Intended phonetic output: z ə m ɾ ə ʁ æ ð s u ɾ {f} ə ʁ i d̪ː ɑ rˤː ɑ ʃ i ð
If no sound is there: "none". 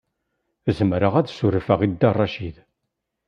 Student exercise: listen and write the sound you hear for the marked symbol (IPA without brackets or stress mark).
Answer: f